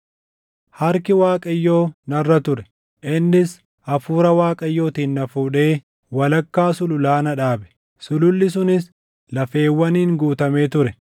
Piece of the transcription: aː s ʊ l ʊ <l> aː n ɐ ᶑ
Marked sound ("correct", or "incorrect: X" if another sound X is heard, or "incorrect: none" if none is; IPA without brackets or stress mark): correct